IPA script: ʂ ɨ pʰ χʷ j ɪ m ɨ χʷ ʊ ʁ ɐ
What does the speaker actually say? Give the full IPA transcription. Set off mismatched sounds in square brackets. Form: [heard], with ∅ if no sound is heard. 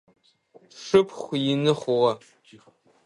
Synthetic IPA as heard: ʂ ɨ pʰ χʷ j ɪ [n] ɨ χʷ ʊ ʁ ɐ

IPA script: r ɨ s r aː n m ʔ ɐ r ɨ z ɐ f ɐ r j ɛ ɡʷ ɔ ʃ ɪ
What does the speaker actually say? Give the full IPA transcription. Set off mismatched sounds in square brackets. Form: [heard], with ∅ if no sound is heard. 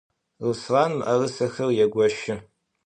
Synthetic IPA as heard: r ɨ s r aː n m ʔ ɐ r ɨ [s] ɐ [x] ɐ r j ɛ ɡʷ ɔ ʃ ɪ

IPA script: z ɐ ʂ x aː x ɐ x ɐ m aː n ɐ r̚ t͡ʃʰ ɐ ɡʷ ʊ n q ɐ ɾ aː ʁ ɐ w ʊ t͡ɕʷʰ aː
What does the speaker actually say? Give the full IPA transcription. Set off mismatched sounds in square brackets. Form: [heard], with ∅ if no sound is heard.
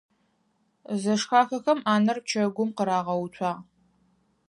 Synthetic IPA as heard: z ɐ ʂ x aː x ɐ x ɐ m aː n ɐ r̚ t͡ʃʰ ɐ ɡʷ ʊ [m] q [ə] ɾ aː ʁ ɐ w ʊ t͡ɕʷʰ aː

